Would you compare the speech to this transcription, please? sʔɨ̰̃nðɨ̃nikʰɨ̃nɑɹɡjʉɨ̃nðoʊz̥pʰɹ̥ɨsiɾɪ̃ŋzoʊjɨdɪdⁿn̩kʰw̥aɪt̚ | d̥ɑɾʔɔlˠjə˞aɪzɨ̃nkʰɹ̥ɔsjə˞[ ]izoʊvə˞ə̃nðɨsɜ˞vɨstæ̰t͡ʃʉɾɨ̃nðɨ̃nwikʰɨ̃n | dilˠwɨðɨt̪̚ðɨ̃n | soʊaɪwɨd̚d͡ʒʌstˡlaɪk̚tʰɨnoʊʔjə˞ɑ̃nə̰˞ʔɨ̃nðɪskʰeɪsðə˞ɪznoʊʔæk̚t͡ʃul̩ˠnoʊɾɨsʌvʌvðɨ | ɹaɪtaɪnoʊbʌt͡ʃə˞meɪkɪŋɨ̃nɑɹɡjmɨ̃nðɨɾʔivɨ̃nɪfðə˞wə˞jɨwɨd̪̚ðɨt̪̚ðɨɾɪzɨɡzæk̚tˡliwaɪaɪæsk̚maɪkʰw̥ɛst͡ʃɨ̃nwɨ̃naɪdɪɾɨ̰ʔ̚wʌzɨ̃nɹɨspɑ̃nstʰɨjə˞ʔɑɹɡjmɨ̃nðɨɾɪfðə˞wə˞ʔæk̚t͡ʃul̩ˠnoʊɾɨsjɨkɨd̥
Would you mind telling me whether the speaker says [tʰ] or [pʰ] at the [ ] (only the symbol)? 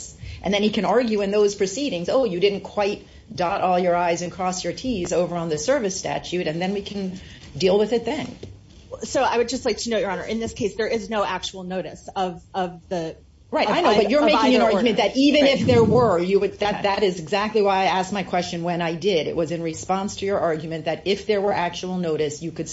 tʰ